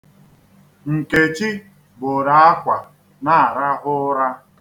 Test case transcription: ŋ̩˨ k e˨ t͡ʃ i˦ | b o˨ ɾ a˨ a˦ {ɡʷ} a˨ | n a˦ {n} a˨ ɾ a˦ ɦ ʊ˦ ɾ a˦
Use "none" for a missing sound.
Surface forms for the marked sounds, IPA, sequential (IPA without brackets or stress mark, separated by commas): kʷ, none